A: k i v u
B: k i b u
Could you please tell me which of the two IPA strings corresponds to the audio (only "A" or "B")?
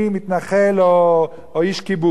B